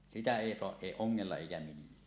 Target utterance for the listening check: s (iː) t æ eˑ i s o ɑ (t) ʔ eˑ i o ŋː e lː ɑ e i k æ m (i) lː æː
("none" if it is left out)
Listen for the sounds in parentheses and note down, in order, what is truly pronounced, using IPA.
i, ʔ, i

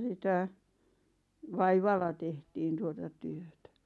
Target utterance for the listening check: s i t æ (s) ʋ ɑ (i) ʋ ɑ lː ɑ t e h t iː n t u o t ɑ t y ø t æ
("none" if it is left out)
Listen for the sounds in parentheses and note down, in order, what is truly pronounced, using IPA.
none, i

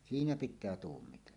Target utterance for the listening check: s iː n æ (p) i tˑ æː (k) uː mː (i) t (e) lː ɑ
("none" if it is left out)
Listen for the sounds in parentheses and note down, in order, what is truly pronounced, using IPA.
p, t, i, e

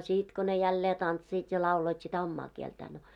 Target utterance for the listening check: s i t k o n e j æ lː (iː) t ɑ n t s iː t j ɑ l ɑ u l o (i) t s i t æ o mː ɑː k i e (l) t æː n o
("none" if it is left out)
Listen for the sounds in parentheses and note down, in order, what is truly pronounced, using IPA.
eː, i, l

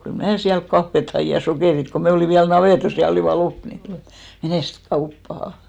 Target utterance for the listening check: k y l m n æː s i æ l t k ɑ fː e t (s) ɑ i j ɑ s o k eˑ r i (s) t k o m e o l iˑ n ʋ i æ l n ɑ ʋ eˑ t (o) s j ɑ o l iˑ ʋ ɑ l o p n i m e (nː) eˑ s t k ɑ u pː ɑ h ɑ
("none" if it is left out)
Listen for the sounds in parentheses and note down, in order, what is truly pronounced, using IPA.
h, none, o, n

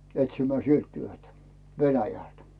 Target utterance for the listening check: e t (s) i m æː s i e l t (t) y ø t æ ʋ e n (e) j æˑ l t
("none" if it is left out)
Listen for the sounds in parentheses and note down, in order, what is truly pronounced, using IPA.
s, t, æ

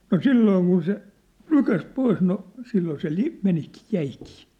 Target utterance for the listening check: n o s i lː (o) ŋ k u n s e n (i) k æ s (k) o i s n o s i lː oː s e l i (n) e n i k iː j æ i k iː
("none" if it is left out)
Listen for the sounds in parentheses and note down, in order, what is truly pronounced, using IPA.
oː, y, p, m

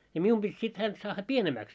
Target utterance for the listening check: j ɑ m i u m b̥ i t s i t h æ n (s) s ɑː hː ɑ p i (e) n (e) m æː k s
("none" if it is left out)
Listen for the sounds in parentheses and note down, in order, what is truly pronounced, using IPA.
t, e, e

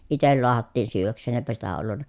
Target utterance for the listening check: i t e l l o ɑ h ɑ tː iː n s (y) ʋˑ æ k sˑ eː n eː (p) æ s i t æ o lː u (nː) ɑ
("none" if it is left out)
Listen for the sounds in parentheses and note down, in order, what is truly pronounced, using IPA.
yː, p, nː

